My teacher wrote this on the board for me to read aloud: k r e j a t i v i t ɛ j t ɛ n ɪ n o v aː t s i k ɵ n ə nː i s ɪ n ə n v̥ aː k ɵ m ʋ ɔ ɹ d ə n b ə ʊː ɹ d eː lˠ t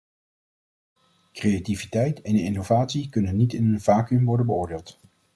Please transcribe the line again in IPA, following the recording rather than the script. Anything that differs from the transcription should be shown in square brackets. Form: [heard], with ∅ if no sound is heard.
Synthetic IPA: k r e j a t i v i t ɛ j t ɛ n ɪ n o v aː t s i k ɵ n ə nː i [t] ɪ n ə n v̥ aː k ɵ m ʋ ɔ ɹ d ə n b ə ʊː ɹ d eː lˠ t